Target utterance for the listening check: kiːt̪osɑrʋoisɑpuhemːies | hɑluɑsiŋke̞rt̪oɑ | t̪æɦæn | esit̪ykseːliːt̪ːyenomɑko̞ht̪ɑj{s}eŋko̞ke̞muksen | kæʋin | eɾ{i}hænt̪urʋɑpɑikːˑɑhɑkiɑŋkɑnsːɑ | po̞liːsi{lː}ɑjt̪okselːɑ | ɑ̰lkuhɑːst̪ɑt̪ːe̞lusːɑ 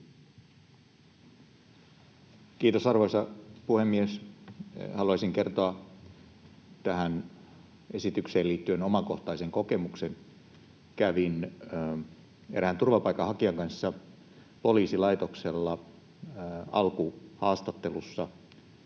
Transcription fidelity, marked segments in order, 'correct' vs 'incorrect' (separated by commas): correct, incorrect, incorrect